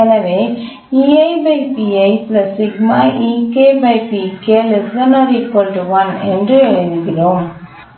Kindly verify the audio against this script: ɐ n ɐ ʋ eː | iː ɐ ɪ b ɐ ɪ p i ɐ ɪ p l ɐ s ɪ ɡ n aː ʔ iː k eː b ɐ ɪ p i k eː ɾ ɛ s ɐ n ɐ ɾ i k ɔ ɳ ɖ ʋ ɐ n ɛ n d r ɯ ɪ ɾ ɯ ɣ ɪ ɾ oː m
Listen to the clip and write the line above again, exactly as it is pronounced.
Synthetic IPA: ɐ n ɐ ʋ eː | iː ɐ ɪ b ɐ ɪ p i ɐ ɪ p l ɐ s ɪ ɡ m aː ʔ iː k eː b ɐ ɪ p i k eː l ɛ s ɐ n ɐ ɾ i k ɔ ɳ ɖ ʋ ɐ n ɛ n d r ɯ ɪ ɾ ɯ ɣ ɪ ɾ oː m

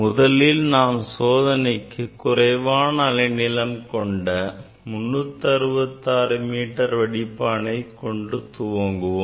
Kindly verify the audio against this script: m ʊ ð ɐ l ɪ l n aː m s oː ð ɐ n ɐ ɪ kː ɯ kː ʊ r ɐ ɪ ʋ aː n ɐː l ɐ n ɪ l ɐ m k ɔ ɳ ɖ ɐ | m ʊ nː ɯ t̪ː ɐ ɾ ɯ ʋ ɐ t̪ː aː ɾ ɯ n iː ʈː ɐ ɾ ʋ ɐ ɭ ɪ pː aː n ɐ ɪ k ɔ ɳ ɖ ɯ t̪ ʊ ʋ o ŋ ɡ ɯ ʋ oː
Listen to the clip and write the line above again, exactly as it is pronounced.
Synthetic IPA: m ʊ ð ɐ l ɪ l n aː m s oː ð ɐ n ɐ ɪ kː ɯ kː ʊ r ɐ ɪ ʋ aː n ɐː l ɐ n ɪ l ɐ m k ɔ ɳ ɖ ɐ | m ʊ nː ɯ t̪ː ɐ ɾ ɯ ʋ ɐ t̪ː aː ɾ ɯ m iː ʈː ɐ ɾ ʋ ɐ ɽ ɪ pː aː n ɐ ɪ k ɔ ɳ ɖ ɯ t̪ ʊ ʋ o ŋ ɡ ɯ ʋ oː

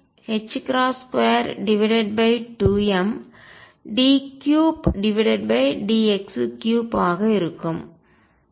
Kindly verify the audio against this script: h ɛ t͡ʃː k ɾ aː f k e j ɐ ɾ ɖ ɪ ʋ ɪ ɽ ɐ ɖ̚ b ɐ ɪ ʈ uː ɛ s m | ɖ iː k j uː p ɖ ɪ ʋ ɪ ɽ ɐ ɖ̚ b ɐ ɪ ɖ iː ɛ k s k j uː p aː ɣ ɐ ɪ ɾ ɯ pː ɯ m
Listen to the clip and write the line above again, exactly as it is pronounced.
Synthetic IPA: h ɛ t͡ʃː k ɾ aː s k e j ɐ ɾ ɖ ɪ ʋ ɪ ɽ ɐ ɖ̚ b ɐ ɪ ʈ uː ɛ m | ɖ iː k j uː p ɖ ɪ ʋ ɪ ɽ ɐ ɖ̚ b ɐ ɪ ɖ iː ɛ k s k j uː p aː ɣ ɐ ɪ ɾ ɯ kː ɯ m

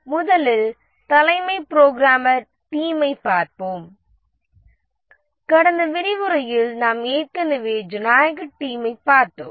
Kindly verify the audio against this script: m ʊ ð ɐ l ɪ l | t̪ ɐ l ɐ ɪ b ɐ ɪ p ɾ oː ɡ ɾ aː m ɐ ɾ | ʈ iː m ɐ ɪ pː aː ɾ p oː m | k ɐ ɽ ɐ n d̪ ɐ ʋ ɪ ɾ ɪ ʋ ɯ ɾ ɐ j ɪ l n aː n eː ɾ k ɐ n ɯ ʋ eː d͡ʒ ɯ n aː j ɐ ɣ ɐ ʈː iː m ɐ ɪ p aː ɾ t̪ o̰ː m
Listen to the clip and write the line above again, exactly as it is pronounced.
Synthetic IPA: m ʊ ð ɐ l ɪ l | t̪ ɐ l ɐ ɪ m ɐ ɪ p ɾ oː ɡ ɾ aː m ɐ ɾ | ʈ iː m ɐ ɪ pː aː ɾ p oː m | k ɐ ɽ ɐ n d̪ ɐ ʋ ɪ ɾ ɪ ʋ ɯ ɾ ɐ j ɪ l n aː m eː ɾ k ɐ n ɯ ʋ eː d͡ʒ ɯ n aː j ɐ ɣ ɐ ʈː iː m ɐ ɪ p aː ɾ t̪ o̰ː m

